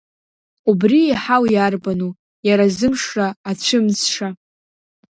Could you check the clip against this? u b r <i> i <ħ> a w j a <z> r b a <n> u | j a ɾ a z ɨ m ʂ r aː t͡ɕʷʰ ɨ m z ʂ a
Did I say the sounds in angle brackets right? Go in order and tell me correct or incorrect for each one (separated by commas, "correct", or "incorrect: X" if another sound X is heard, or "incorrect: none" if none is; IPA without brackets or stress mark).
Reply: correct, correct, incorrect: none, correct